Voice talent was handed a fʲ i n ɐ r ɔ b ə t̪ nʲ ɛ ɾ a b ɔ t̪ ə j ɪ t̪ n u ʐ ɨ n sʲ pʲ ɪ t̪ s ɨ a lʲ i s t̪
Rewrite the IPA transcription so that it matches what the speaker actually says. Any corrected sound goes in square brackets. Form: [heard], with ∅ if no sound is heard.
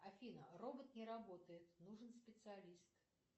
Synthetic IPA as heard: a fʲ i n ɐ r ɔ b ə t̪ nʲ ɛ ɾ a b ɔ t̪ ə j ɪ t̪ n u ʐ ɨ n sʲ pʲ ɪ t̪ s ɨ a lʲ i s t̪